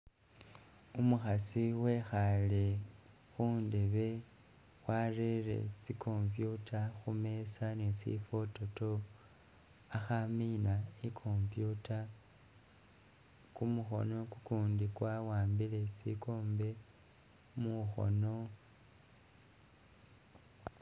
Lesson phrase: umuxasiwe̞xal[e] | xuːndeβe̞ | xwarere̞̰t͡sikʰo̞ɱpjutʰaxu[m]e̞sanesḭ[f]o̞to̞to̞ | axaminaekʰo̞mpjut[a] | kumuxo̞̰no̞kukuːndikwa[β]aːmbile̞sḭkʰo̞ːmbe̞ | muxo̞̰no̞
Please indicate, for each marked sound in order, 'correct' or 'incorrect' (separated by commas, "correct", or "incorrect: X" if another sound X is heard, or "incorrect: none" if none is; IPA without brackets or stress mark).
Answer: correct, correct, correct, correct, incorrect: w